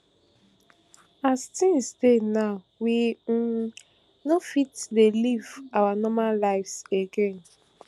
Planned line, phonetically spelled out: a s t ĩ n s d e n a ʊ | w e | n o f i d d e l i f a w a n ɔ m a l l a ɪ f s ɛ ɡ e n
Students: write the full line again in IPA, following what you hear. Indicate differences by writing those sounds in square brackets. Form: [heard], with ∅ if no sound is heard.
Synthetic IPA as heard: a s t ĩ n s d e n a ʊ | w [i] | n o f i [t] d e l i [v] a w a n ɔ m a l l a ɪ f s [e] ɡ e n